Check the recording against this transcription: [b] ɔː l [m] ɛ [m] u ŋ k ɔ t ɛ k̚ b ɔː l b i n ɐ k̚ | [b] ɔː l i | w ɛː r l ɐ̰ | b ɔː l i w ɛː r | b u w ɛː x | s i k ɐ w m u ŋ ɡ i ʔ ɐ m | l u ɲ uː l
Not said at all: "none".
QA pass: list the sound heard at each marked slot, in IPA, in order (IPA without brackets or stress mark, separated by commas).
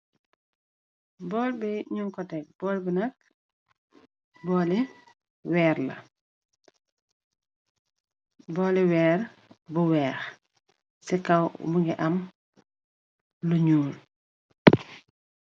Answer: b, b, ɲ, b